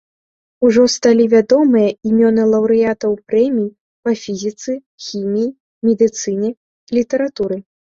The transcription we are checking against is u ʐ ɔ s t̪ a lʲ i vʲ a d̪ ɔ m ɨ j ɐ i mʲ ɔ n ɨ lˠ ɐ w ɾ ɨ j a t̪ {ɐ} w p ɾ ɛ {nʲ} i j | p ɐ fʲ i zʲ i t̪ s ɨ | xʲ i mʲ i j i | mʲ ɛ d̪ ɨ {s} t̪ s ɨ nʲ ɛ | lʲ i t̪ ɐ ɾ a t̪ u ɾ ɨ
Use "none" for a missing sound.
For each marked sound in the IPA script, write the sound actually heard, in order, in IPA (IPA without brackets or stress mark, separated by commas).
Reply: ɐ, mʲ, none